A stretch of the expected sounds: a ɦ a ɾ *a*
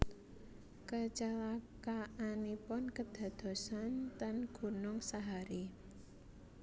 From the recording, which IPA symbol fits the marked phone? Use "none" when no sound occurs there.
i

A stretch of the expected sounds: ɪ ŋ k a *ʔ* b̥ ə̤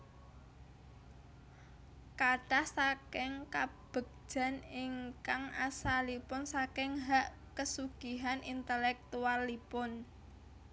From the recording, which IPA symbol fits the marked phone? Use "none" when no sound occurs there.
none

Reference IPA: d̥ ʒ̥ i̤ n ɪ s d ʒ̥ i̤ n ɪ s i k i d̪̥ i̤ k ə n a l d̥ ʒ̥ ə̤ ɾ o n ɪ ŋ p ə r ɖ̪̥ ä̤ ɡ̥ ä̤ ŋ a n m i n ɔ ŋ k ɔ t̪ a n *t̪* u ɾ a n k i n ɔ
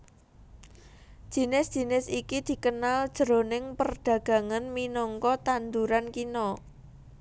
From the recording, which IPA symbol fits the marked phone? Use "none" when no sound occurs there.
d̪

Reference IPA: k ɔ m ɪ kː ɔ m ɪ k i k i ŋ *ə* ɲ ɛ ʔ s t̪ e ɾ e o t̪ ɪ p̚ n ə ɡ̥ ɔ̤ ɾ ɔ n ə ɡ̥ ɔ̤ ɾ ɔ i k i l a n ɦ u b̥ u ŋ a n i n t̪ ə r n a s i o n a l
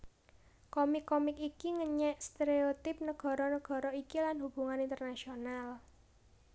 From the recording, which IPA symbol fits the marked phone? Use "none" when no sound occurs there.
ə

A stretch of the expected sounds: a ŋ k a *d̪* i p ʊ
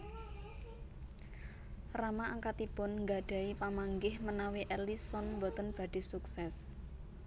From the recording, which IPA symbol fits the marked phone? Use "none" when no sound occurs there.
t̪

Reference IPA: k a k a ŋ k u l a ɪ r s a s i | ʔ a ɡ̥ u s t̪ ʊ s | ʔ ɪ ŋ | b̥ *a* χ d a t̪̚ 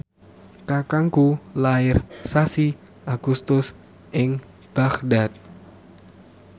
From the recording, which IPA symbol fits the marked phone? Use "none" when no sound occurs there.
a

